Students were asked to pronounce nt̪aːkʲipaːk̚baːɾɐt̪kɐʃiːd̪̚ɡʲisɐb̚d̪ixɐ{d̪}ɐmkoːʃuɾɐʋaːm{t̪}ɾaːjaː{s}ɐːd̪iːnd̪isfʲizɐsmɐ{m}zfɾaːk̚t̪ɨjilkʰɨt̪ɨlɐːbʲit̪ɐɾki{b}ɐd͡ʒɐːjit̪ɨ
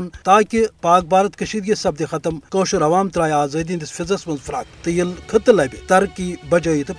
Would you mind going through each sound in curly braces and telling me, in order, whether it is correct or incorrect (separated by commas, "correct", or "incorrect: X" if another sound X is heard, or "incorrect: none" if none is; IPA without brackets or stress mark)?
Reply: incorrect: t̪, correct, incorrect: z, incorrect: n, correct